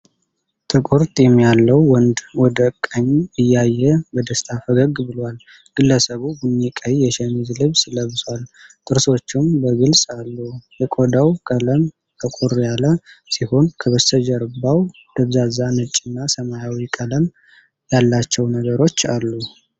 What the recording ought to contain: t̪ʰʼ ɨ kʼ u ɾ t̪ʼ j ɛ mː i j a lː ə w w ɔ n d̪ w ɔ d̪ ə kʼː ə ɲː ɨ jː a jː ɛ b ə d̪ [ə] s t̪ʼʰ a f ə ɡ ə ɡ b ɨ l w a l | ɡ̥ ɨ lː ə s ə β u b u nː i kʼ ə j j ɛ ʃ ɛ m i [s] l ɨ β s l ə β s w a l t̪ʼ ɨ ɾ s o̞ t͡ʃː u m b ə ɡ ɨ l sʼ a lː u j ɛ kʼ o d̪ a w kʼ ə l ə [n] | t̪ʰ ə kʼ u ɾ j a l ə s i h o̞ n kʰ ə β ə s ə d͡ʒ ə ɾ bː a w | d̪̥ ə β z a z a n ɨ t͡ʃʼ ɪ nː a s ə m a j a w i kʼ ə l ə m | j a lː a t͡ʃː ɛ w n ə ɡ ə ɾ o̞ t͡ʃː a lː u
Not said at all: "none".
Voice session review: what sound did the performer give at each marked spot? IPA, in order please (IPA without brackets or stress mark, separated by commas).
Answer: ə, z, m